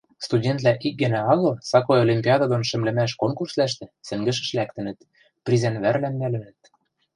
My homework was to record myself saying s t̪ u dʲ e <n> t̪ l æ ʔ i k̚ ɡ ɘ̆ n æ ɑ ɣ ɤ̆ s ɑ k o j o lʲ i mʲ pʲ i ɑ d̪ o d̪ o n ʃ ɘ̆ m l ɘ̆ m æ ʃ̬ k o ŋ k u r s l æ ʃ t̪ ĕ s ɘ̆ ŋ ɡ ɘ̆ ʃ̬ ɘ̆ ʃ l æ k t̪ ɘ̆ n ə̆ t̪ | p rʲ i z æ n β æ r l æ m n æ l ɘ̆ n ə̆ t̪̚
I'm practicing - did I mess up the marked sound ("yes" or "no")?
no